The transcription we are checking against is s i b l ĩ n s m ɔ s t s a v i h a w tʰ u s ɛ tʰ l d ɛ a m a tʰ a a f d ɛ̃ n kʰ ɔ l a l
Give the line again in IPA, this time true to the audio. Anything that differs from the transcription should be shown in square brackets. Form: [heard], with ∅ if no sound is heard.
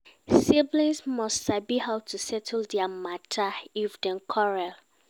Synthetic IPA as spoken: s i b l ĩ n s m ɔ s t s a [b] i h a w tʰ u s ɛ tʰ l d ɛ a m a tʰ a [i] f d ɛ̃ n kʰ ɔ [ɹ] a l